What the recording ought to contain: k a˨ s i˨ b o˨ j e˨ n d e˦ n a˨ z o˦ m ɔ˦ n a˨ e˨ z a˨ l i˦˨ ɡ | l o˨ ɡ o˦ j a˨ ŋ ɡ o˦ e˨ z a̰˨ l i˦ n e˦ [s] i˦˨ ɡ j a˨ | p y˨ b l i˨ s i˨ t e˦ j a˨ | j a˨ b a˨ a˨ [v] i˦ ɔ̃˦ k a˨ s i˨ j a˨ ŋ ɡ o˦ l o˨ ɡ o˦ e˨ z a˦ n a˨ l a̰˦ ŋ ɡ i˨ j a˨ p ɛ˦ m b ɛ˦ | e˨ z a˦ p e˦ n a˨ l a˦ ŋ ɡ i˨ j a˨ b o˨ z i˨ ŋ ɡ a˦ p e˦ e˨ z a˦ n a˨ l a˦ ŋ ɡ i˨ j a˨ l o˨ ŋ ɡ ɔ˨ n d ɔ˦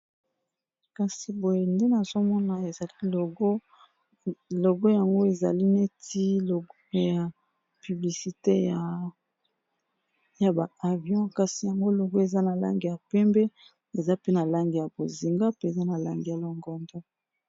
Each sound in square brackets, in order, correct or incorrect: incorrect, correct

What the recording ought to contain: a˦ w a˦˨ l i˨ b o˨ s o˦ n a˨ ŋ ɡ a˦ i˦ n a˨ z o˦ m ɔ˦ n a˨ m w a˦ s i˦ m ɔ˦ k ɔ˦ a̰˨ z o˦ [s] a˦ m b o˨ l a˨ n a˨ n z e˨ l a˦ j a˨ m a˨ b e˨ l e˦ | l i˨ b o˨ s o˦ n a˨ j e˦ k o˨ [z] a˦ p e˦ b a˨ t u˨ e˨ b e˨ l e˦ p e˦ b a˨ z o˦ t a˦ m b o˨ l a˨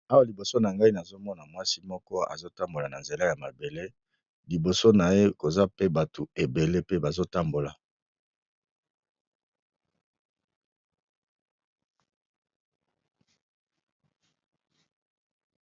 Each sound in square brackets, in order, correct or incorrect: incorrect, correct

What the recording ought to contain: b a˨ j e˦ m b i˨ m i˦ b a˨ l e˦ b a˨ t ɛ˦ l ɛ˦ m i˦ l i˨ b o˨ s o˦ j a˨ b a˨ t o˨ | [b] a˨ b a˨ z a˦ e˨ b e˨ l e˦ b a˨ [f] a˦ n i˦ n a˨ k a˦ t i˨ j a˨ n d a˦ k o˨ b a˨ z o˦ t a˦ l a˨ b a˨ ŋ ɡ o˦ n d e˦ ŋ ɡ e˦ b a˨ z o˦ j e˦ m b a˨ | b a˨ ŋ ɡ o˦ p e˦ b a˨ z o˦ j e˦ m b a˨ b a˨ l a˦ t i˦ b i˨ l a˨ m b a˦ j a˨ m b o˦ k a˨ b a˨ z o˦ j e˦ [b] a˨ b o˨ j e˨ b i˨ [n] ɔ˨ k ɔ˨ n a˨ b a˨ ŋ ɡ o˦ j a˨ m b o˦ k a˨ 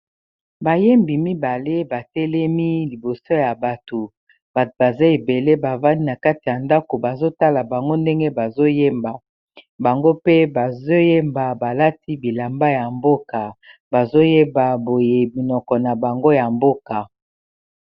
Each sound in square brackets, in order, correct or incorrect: correct, incorrect, correct, correct

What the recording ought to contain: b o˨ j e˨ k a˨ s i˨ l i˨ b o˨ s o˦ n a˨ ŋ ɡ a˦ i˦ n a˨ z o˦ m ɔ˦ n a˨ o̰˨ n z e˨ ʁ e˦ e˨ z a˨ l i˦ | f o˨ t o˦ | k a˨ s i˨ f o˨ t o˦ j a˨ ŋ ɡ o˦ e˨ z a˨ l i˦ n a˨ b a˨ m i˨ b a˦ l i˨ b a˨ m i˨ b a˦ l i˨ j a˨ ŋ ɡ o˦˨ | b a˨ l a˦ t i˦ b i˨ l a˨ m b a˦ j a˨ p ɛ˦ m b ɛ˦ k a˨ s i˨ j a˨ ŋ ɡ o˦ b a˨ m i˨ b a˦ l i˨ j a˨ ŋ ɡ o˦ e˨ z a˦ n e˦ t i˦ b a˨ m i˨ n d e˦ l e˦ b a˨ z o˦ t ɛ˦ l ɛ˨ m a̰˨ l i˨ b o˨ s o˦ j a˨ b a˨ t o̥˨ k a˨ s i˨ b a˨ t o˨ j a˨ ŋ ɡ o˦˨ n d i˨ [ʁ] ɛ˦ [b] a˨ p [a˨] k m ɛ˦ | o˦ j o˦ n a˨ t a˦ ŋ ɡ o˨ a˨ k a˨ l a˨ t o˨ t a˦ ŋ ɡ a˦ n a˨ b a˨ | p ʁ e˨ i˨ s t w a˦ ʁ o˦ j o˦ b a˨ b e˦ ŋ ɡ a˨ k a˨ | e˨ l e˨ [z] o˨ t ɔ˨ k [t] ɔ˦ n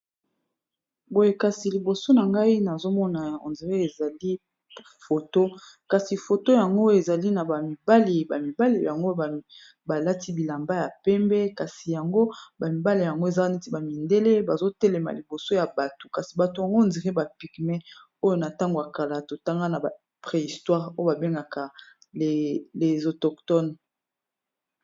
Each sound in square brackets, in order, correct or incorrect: correct, correct, incorrect, correct, correct

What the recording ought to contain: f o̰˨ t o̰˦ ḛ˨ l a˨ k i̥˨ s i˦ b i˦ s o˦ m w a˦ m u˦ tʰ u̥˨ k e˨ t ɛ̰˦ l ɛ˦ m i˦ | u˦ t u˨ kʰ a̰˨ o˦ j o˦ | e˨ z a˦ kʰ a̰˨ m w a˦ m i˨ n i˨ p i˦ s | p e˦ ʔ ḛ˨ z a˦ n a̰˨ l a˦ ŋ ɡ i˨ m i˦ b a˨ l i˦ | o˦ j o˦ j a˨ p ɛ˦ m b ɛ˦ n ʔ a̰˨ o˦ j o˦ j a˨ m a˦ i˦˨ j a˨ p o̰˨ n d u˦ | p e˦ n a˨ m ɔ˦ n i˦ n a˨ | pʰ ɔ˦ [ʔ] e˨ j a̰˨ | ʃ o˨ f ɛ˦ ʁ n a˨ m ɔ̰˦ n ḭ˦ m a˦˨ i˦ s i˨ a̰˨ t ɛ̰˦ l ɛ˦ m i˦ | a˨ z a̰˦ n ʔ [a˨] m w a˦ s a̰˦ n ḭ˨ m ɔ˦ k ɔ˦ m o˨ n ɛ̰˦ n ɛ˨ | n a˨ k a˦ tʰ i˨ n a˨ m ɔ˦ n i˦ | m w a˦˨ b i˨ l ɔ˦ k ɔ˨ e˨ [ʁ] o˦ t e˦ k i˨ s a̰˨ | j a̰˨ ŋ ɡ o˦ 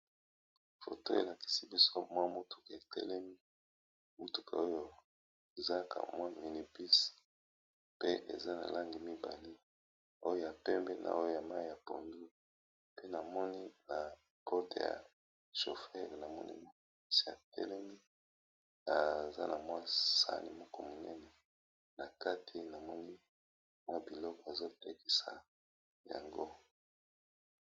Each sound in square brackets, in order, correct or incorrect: incorrect, correct, incorrect

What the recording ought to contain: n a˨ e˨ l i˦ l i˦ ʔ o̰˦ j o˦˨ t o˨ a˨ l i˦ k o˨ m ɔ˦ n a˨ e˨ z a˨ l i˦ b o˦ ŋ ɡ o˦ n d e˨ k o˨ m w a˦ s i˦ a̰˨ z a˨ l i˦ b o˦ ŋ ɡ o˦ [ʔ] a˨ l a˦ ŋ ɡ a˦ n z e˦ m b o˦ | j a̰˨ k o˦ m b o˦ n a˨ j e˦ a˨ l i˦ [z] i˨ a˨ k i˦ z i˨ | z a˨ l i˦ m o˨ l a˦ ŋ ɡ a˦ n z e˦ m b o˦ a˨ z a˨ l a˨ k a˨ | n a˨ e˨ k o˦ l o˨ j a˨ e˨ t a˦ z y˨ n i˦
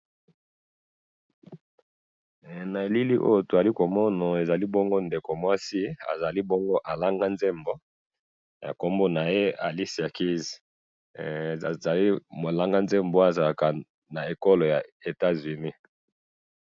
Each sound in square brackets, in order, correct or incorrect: correct, incorrect

